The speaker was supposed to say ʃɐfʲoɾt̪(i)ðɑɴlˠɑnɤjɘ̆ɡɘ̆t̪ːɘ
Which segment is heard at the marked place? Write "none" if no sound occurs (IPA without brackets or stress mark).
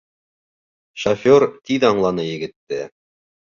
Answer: i